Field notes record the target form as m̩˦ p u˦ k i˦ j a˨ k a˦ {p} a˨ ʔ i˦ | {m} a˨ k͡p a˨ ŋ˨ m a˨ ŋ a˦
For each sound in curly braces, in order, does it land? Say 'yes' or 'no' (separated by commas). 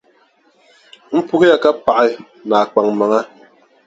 yes, no